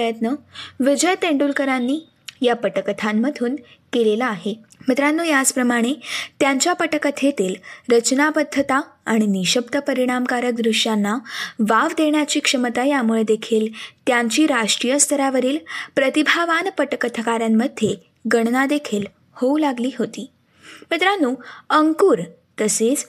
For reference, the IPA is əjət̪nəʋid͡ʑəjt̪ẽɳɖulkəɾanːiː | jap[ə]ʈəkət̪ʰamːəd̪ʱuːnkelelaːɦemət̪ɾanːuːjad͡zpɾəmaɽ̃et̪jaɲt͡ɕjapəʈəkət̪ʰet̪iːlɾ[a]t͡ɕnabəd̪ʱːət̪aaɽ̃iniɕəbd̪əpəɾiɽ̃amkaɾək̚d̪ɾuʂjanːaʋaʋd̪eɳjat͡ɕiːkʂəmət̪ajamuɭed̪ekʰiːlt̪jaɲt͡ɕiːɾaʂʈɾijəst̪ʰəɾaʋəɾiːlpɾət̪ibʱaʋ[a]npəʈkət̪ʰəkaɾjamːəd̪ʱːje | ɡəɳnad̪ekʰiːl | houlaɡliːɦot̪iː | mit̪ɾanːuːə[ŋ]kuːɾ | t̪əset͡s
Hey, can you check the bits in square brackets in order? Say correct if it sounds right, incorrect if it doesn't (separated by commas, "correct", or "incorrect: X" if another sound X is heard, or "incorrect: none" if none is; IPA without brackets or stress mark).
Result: correct, incorrect: ə, correct, correct